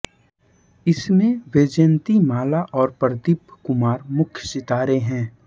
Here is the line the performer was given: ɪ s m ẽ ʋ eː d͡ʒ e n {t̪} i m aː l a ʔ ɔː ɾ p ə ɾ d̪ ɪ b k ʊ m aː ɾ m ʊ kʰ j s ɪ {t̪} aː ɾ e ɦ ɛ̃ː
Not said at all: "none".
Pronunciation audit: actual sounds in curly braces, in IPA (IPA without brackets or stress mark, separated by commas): t̪, t̪